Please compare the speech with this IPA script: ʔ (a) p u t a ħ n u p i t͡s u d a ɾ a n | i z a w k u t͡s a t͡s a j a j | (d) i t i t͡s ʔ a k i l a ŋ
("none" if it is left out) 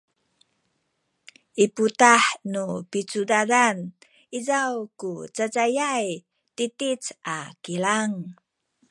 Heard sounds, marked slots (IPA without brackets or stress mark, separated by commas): i, t